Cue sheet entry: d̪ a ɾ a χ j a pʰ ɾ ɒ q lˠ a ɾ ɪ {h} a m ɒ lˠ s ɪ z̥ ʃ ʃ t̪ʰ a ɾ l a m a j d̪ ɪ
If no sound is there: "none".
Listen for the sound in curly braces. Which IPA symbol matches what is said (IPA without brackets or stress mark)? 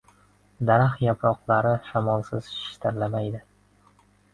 ʃ